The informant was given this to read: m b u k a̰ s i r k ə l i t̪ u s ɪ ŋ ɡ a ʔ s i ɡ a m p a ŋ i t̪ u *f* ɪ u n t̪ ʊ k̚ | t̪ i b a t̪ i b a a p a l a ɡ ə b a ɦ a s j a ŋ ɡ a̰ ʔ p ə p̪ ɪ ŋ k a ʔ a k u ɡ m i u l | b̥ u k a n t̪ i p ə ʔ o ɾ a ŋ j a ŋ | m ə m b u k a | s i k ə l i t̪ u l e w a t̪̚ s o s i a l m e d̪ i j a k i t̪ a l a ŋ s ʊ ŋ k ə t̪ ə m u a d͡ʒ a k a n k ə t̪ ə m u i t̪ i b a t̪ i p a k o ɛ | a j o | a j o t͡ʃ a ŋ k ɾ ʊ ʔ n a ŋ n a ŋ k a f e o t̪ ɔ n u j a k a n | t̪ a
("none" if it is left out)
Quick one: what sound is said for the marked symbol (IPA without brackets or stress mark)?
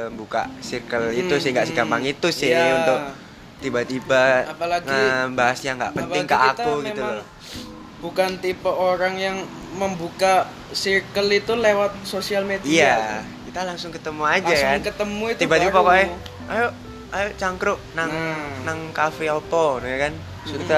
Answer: s